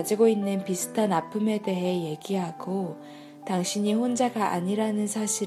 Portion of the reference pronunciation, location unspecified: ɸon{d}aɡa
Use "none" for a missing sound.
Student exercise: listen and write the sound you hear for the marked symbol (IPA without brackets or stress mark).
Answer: d͡ʑ